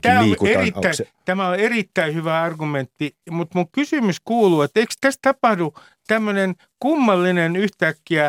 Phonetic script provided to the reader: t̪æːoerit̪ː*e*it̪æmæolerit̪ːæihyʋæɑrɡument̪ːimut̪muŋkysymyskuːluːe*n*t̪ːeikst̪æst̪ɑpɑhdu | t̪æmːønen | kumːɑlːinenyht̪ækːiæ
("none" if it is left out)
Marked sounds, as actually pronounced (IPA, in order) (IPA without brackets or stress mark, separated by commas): æ, none